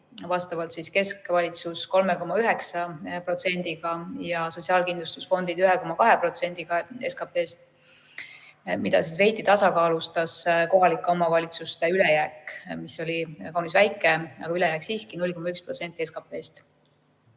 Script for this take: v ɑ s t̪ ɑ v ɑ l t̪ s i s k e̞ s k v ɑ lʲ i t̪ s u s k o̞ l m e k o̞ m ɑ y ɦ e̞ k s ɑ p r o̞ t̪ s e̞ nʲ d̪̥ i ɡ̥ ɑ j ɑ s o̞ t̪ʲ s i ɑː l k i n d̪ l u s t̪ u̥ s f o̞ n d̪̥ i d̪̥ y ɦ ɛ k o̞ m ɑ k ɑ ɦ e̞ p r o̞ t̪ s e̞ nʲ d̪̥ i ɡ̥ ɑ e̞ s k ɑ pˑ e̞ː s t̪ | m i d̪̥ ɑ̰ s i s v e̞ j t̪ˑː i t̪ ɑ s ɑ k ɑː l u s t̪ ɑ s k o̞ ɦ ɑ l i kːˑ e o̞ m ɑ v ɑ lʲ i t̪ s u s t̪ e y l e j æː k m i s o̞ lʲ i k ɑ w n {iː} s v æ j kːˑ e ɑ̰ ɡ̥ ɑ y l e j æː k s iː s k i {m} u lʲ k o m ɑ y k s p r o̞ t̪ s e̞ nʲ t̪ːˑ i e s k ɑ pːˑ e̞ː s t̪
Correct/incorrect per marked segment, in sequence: incorrect: i, incorrect: n

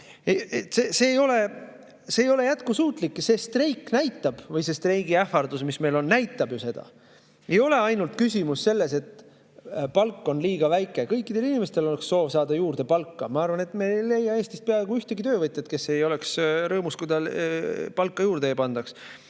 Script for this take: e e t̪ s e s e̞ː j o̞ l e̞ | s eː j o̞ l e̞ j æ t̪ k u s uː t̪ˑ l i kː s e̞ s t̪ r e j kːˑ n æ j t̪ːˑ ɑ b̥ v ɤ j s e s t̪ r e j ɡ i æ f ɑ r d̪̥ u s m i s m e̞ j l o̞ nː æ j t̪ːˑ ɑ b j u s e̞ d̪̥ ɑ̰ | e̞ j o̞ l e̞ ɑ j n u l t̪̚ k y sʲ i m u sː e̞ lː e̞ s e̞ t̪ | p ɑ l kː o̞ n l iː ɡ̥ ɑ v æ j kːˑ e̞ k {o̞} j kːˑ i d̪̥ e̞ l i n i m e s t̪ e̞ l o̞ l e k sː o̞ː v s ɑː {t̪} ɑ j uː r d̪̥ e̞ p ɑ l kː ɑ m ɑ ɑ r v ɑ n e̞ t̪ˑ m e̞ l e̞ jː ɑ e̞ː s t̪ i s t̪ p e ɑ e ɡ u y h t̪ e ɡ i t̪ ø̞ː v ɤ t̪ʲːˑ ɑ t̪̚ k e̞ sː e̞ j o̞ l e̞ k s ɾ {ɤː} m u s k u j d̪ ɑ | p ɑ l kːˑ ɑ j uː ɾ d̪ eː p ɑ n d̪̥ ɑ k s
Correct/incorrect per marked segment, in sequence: incorrect: ɤ̞, incorrect: d̪, correct

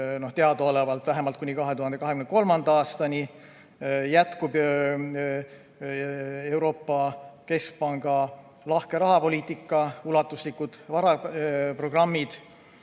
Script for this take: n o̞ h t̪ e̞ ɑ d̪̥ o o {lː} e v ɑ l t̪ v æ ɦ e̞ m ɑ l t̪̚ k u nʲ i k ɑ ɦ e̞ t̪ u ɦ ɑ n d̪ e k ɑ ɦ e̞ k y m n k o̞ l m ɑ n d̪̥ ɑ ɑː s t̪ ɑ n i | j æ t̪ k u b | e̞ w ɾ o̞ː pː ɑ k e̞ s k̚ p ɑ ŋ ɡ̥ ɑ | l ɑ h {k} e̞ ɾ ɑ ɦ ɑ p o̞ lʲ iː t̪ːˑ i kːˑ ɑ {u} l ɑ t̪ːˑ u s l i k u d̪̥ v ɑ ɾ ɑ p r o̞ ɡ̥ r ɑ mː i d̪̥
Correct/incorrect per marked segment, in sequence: incorrect: l, correct, correct

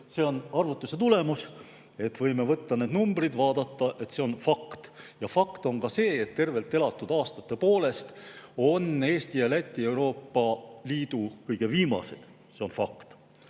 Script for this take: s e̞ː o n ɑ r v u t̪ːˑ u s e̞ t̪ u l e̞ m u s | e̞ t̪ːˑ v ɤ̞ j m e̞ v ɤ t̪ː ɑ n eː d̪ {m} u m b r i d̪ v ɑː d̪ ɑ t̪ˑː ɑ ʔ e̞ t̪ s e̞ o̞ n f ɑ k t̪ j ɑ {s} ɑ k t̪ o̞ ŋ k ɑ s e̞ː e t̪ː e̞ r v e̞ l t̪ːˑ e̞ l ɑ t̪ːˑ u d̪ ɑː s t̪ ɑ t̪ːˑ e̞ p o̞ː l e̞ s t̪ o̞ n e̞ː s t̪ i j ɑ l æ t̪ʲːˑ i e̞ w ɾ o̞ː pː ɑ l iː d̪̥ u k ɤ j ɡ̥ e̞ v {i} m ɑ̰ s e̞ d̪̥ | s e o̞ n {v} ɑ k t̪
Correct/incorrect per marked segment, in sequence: incorrect: n, incorrect: f, incorrect: iː, incorrect: f

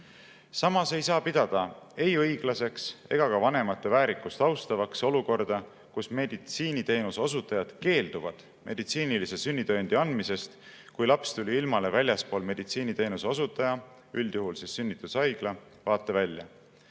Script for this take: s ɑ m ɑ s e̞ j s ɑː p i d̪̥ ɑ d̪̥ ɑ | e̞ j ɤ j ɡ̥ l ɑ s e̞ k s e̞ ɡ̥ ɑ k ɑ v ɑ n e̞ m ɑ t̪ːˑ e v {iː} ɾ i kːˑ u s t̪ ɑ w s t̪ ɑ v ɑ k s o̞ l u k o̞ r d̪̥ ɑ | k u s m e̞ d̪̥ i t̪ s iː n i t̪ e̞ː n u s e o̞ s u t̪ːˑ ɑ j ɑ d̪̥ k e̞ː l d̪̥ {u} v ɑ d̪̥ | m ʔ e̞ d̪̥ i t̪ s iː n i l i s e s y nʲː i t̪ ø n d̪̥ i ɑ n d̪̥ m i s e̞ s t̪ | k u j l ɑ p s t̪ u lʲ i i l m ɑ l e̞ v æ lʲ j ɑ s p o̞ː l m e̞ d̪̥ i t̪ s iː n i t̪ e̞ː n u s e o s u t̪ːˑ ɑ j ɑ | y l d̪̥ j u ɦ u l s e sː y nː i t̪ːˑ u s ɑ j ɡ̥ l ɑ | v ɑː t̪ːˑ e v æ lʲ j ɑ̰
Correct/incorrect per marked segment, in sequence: incorrect: æː, correct

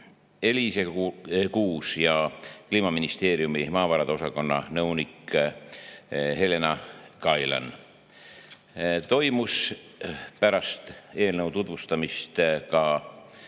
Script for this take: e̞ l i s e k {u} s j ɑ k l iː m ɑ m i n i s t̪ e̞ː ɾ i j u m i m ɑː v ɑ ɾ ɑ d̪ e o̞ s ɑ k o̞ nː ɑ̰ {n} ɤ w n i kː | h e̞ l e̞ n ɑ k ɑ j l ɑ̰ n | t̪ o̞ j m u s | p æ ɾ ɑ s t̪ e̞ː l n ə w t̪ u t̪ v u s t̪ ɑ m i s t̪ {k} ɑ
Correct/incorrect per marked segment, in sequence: incorrect: uː, correct, correct

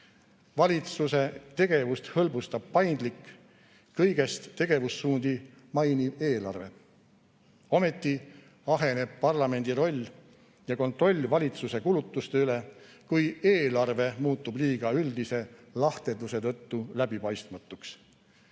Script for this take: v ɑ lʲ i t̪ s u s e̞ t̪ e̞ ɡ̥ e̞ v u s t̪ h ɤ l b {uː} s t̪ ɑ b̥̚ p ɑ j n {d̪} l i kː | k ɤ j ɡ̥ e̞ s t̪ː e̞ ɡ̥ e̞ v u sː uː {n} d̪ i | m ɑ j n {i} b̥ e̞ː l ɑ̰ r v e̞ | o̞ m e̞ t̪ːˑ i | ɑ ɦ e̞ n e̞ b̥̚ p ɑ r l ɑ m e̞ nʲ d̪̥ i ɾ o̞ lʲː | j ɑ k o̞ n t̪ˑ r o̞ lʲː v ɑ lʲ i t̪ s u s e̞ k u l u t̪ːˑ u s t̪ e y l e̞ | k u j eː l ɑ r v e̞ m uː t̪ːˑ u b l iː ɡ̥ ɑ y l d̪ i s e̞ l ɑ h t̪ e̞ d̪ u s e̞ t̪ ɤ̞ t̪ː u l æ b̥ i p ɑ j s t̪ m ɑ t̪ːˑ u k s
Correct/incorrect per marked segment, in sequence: incorrect: u, correct, correct, correct

